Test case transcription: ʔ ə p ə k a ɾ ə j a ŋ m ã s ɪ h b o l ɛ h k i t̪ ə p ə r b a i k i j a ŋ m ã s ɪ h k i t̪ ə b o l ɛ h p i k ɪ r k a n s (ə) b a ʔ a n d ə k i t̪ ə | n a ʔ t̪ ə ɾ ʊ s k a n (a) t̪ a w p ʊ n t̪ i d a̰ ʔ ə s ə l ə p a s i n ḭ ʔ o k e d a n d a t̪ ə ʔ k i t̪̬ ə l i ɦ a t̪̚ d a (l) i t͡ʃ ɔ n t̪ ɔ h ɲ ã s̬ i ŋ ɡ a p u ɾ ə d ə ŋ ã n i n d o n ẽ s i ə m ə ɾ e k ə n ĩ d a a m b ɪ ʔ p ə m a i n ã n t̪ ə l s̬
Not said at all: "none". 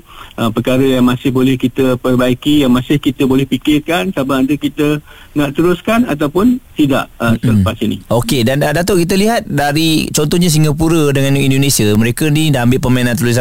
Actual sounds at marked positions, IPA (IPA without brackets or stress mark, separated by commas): a, a, ɾ